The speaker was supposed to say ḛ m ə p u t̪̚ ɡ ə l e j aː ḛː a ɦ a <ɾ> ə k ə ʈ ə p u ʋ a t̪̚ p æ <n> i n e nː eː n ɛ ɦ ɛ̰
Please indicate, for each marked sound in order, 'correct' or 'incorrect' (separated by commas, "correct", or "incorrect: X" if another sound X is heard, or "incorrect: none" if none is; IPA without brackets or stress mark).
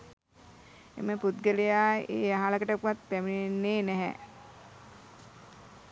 incorrect: l, incorrect: m